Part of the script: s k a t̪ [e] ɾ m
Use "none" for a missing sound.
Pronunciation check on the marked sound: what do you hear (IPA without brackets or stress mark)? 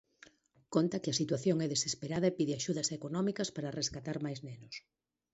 a